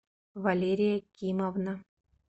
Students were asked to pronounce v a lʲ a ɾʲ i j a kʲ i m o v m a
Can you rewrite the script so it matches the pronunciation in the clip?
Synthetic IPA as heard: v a lʲ e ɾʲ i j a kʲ i m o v n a